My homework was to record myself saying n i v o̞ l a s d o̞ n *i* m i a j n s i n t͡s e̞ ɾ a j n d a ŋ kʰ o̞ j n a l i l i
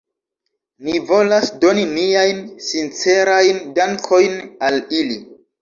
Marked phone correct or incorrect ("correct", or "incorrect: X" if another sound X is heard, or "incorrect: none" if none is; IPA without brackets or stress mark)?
correct